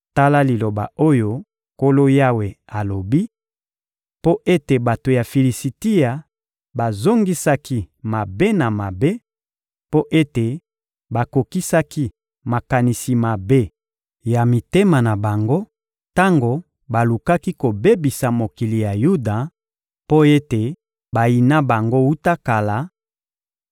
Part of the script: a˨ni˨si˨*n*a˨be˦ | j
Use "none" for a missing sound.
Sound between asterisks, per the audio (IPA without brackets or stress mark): m